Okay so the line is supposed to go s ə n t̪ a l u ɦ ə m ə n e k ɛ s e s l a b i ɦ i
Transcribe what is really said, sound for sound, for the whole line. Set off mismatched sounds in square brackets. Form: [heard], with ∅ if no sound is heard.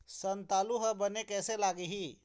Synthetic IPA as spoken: s ə n t̪ a l u ɦ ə [b] ə n e k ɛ s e [∅] l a [ɡ] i ɦ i

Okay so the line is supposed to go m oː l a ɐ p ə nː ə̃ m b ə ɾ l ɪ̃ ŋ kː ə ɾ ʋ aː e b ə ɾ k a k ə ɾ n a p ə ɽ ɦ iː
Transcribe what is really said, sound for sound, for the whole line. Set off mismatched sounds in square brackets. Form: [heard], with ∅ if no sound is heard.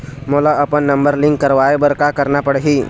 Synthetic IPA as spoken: m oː l a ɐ p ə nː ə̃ m b ə ɾ l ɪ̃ ŋ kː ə ɾ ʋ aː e b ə ɾ k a k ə ɾ n a p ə ɽ ɦ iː

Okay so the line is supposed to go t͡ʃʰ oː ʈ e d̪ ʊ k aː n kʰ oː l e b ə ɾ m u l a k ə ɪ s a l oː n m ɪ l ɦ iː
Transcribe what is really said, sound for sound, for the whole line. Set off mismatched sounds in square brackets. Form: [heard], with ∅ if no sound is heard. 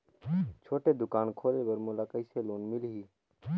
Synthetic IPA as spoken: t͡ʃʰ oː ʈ e d̪ ʊ k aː n kʰ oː l e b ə ɾ m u l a k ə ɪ s [e] l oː n m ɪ l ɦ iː

